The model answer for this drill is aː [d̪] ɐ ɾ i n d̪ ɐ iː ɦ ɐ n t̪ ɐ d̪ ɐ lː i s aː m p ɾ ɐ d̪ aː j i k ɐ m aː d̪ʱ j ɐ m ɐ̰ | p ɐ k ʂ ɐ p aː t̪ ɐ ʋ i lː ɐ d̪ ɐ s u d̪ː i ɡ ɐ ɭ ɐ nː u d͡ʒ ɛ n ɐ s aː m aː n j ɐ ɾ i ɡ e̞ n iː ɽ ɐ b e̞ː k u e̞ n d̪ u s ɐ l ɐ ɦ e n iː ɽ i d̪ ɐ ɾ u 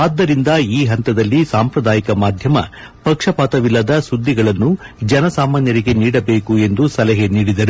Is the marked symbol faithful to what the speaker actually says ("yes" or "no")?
no